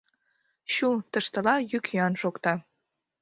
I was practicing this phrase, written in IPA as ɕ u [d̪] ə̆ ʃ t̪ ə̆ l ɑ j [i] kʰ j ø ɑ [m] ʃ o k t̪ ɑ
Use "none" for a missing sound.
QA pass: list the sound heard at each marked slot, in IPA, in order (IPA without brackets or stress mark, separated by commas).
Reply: t̪, y, n